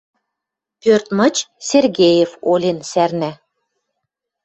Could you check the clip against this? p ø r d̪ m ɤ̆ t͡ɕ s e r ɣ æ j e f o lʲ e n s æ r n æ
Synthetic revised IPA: p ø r t̪ m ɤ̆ t͡ɕ s e r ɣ e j e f o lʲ e n s æ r n æ